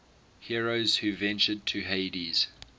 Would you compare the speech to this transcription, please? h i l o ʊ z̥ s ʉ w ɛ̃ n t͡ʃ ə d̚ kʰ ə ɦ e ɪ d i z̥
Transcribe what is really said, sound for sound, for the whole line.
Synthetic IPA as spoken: h i ɹ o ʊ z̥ h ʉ v ɛ̃ n t͡ʃ ə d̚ tʰ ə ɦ e ɪ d i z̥